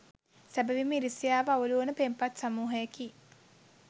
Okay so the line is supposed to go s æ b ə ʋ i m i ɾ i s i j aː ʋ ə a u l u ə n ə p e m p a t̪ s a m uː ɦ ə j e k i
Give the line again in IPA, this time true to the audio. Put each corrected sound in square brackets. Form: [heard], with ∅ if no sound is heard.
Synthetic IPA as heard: s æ b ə ʋ i m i ɾ i s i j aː ʋ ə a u l u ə n ə p e m p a t̪ s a m uː ɦ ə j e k i